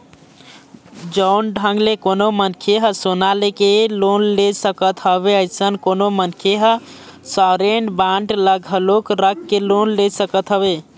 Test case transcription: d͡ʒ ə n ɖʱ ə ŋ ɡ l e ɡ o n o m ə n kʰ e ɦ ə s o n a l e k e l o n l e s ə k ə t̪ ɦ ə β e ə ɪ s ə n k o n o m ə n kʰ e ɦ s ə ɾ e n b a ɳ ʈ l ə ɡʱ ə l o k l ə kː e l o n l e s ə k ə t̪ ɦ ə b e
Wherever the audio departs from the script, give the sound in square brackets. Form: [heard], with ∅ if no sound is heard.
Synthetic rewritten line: d͡ʒ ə n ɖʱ ə ŋ ɡ l e [k] o n o m ə n kʰ e ɦ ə s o n a l e k e l o n l e s ə k ə t̪ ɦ ə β e ə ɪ s ə n k o n o m ə n kʰ e ɦ s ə ɾ e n b a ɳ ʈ l ə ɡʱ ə l o k [ɾ] ə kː e l o n l e s ə k ə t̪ ɦ ə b e